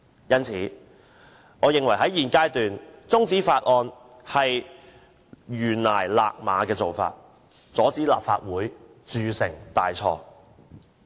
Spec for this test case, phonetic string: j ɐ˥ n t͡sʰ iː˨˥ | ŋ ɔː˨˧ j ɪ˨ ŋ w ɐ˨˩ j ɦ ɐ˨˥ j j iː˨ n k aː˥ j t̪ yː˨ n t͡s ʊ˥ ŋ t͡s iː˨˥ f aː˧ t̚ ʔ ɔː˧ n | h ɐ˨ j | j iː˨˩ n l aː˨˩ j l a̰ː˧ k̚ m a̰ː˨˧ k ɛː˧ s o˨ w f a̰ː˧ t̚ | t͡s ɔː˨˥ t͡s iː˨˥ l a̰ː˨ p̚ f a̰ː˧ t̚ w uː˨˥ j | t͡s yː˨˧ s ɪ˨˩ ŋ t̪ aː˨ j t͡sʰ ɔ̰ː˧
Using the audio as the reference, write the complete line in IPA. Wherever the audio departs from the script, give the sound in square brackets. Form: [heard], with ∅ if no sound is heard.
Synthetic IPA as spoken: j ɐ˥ n t͡sʰ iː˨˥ | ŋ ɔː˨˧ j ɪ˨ ŋ w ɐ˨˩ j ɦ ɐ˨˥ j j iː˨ n k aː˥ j t̪ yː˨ n t͡s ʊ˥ ŋ t͡s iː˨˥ f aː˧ t̚ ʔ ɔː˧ n | h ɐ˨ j | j [yː˨˩] n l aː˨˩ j l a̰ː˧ k̚ m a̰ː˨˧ k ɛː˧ [t͡s] o˨ w f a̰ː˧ t̚ | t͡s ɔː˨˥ t͡s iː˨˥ l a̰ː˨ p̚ f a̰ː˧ t̚ w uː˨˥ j | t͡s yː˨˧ s ɪ˨˩ ŋ t̪ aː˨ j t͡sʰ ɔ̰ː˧